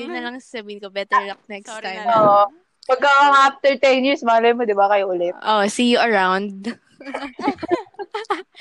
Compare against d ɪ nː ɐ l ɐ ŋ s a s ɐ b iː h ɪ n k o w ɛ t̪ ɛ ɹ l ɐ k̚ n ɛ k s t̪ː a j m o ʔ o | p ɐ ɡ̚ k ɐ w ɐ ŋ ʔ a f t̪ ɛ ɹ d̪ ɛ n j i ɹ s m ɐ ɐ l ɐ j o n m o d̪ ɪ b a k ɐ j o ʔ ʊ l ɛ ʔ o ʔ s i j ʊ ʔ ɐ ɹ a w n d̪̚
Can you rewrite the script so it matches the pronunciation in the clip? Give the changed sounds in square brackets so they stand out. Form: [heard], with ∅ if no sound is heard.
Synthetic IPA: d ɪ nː ɐ l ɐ ŋ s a s ɐ b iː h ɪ n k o [b] ɛ t̪ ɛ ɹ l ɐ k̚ n ɛ k s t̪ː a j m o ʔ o | p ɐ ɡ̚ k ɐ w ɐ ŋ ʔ a f t̪ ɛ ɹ [t̪] ɛ n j i ɹ s m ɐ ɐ l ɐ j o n m o d̪ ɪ b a k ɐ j o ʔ ʊ l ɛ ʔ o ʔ s i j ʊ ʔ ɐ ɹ a w n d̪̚